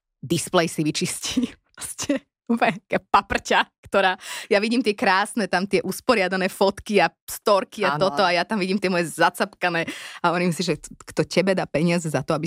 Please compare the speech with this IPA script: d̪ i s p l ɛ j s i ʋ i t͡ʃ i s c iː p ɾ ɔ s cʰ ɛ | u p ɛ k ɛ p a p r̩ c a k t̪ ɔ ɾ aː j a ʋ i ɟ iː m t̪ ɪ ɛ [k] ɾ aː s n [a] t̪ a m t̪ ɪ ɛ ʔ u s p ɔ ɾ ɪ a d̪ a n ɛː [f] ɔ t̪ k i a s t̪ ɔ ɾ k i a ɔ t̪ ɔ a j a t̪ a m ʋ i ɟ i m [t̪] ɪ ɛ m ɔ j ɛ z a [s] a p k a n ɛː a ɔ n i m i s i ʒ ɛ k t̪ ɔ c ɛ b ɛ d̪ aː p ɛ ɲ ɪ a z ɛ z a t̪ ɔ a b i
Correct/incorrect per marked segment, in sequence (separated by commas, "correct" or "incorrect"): correct, incorrect, correct, correct, incorrect